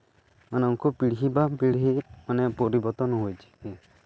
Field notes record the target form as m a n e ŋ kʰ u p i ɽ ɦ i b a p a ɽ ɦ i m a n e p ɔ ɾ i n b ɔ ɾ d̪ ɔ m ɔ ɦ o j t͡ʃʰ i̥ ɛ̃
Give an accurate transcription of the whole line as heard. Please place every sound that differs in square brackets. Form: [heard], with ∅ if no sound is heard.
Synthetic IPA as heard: m a n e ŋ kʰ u p i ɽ ɦ i b a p [i] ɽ ɦ i m a n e p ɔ ɾ i [∅] b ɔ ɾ [t̪] ɔ [n] ɔ ɦ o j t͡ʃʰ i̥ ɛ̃